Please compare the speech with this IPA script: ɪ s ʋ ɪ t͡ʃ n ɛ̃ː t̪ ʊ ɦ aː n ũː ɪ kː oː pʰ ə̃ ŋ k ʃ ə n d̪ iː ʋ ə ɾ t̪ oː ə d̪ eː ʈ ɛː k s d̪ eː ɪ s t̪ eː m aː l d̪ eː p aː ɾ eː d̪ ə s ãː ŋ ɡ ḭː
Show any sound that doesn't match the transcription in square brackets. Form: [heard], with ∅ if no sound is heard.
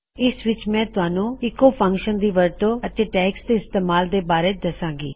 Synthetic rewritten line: ɪ s ʋ ɪ t͡ʃ [m] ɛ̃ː t̪ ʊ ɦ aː n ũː ɪ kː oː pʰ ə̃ ŋ k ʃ ə n d̪ iː ʋ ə ɾ t̪ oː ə [t̪] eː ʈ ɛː k s d̪ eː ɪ s t̪ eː m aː l d̪ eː [b] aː ɾ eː d̪ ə s ãː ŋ ɡ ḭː